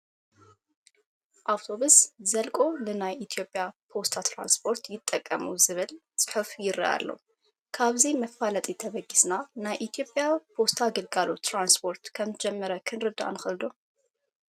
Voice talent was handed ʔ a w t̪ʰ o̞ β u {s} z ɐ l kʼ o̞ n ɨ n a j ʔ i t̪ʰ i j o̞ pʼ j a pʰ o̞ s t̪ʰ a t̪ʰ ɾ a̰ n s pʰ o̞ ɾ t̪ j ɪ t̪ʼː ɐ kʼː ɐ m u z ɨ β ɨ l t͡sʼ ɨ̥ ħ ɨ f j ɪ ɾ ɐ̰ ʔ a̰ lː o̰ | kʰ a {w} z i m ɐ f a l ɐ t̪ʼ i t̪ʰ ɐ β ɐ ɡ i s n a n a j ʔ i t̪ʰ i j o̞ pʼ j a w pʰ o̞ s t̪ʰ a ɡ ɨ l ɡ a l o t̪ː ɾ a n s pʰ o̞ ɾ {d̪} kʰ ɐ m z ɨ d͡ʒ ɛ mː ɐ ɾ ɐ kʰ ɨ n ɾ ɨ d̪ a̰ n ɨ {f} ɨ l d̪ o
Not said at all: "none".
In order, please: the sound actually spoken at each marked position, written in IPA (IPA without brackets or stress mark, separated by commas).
s, β, t̪, x